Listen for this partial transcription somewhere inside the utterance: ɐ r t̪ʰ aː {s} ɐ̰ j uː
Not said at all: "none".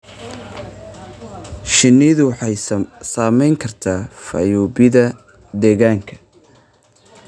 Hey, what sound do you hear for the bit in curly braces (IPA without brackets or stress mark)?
f